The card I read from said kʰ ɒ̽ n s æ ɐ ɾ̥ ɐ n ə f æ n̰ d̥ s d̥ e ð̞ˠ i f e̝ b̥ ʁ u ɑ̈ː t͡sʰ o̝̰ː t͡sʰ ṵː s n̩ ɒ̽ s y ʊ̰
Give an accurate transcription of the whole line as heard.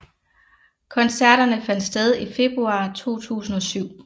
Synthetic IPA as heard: kʰ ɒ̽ n s æ ɐ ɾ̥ ɐ n ə f æ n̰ d̥ s d̥ e ð̞ˠ i f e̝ b̥ ʁ u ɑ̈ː t͡sʰ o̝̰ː t͡sʰ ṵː s n̩ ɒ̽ s y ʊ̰

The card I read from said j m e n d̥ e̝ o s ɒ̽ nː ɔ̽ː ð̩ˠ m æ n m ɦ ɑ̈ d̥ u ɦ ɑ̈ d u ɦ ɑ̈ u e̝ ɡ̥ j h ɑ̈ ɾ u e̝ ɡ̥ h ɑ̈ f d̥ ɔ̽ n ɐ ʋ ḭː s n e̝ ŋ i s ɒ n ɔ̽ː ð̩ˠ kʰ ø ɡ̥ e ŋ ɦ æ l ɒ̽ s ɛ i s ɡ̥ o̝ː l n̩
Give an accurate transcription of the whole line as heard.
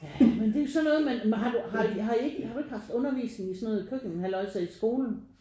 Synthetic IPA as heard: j m e n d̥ e̝ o s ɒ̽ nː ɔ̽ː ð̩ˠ m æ n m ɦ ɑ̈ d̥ u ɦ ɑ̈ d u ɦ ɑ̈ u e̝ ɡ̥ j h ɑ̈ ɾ u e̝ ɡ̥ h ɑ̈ f d̥ ɔ̽ n ɐ ʋ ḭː s n e̝ ŋ i s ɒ n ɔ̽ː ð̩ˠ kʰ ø ɡ̥ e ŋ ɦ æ l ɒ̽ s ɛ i s ɡ̥ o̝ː l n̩

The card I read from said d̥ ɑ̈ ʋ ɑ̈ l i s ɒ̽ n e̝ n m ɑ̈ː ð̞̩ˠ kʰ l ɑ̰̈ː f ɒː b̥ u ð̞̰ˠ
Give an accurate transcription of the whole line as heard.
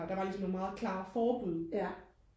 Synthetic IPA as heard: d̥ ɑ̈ ʋ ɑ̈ l i s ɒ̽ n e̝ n m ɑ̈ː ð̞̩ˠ kʰ l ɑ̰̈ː f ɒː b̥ u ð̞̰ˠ

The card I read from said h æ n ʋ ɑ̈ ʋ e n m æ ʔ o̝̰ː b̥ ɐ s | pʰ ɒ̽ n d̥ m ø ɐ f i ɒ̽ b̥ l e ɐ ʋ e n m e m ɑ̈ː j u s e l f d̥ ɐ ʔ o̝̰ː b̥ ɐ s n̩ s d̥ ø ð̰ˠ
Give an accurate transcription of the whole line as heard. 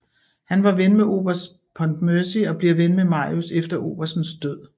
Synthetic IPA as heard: h æ n ʋ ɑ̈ ʋ e n m e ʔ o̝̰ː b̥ ɐ s | pʰ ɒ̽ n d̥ m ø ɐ s i ɒ̽ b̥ l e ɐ ʋ e n m e m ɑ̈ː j u s e f d̥ ɐ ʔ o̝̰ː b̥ ɐ s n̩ s d̥ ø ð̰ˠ

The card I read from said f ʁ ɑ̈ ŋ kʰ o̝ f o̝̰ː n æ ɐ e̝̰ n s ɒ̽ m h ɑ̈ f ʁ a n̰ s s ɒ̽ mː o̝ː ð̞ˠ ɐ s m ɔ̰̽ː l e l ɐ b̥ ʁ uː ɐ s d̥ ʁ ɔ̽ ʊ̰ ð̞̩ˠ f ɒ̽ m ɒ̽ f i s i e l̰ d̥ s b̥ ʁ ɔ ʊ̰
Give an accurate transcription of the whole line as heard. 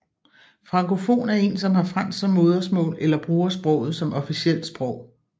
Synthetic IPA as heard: f ʁ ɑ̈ ŋ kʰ o̝ f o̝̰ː n æ ɐ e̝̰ n s ɒ̽ m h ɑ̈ f ʁ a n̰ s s ɒ̽ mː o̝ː ð̞ˠ ɐ s m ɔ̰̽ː l e l ɐ b̥ ʁ uː ɐ s b̥ ʁ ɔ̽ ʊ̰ ð̞̩ˠ s ɒ̽ m ɒ̽ f i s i e l̰ d̥ s b̥ ʁ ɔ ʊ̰

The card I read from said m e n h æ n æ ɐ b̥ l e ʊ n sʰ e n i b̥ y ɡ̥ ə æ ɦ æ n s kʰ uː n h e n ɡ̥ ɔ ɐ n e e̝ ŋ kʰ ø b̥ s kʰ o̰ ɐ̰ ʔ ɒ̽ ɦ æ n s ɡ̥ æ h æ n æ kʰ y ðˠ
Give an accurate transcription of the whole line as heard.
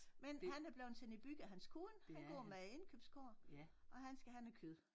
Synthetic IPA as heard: m e n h æ n æ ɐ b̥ l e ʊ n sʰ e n i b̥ y ɡ̥ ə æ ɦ æ n s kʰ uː n h æ n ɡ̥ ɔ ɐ m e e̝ n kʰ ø b̥ s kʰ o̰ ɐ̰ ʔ ɒ̽ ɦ æ n s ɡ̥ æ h æ n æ kʰ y ðˠ

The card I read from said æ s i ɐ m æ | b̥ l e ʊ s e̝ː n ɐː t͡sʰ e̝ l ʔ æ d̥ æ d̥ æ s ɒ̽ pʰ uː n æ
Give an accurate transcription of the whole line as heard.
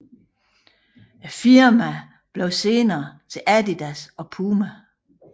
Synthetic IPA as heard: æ f i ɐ m æ | b̥ l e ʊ s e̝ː n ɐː t͡sʰ e̝ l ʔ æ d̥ i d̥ æ s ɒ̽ pʰ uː m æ

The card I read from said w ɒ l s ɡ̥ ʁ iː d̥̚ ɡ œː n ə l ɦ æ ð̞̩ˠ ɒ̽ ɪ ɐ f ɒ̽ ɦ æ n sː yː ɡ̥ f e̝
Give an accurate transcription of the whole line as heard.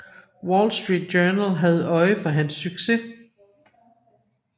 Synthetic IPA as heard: w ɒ l s d̥ ʁ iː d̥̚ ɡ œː n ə l ɦ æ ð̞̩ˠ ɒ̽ ɪ ə f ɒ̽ ɦ æ n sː y ɡ̥ s e̝

